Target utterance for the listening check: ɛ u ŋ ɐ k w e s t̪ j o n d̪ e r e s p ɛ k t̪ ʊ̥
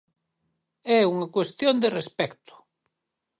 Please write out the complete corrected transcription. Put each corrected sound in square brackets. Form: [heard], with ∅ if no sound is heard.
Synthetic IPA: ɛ u ŋ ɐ k w e s t̪ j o n d̪ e r e s p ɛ k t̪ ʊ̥